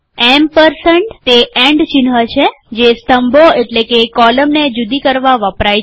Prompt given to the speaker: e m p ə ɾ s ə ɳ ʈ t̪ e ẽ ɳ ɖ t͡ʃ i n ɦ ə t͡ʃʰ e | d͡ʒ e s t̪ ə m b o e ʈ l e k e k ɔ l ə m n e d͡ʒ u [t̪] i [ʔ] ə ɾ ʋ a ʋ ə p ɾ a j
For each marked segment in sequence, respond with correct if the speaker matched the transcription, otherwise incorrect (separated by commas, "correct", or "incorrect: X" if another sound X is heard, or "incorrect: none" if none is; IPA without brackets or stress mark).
incorrect: d̪, incorrect: k